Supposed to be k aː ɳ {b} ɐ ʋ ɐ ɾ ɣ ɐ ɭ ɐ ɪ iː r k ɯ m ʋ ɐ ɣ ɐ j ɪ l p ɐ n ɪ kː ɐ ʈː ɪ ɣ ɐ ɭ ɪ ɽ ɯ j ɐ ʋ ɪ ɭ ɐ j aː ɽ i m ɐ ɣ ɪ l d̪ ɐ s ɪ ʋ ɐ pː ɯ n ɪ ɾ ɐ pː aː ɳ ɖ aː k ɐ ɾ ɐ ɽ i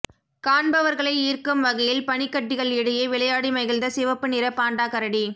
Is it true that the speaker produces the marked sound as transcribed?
yes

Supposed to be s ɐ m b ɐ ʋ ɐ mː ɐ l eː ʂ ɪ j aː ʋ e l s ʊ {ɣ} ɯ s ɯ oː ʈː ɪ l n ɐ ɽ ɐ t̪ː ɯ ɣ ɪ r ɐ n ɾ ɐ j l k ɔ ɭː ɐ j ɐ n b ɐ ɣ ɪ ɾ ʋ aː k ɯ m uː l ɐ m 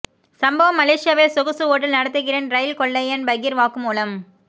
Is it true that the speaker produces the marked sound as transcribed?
yes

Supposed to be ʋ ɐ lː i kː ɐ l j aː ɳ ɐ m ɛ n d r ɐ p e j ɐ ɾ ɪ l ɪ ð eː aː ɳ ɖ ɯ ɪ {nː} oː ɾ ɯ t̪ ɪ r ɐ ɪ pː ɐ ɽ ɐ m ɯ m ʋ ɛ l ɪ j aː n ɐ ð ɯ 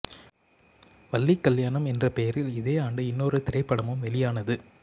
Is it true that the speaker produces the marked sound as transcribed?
yes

